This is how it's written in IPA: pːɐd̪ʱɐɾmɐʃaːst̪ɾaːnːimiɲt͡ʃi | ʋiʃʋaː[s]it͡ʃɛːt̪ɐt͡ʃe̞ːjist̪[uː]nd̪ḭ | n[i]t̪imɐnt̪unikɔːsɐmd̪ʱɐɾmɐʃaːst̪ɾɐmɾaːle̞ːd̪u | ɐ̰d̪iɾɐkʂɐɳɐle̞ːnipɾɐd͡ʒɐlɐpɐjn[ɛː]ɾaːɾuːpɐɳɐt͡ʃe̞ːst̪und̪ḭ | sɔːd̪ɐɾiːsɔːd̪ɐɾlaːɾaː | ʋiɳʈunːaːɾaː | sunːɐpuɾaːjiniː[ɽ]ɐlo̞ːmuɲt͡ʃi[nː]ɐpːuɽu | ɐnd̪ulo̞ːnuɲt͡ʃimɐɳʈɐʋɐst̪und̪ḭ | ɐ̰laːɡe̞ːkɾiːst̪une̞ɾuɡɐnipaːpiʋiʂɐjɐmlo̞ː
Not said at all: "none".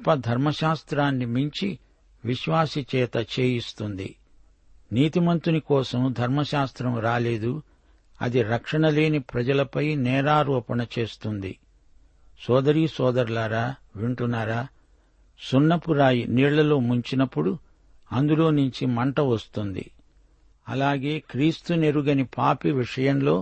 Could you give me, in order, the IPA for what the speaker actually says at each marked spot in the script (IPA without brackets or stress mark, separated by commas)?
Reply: s, u, iː, ɛː, ɭ, n